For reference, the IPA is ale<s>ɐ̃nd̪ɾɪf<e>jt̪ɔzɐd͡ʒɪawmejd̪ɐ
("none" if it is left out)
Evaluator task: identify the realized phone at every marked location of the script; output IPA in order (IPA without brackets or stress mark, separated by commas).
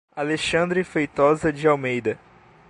ʃ, e